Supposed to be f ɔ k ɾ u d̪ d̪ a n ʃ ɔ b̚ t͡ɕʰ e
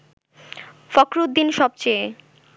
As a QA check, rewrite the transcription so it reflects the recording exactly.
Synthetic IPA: f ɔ k ɾ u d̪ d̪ i n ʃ ɔ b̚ t͡ɕ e